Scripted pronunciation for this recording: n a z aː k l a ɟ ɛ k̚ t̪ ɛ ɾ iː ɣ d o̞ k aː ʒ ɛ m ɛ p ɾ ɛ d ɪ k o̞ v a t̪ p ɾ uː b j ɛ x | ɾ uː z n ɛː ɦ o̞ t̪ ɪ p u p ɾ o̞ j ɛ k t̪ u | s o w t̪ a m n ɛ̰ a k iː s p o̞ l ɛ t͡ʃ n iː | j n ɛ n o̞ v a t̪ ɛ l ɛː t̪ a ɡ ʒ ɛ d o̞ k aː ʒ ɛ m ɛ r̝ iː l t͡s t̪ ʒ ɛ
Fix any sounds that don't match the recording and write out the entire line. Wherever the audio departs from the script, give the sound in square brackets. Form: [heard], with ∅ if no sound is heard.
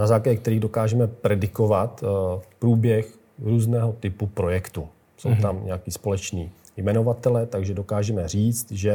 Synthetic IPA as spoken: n a z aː k l a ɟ ɛ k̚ t̪ ɛ ɾ iː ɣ d o̞ k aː ʒ ɛ m ɛ p ɾ ɛ d ɪ k o̞ v a t̪ p ɾ uː b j ɛ x | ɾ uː z n ɛː ɦ o̞ t̪ ɪ p u p ɾ o̞ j ɛ k t̪ u | s o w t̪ a m [ɲ] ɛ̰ a k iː s p o̞ l ɛ t͡ʃ n iː | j [m] ɛ n o̞ v a t̪ ɛ l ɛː t̪ a ɡ ʒ ɛ d o̞ k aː ʒ ɛ m ɛ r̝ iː [∅] t͡s t̪ ʒ ɛ